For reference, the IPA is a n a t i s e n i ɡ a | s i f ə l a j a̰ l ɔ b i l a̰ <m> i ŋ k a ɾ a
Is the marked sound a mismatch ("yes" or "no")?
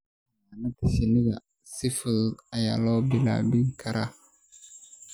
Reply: yes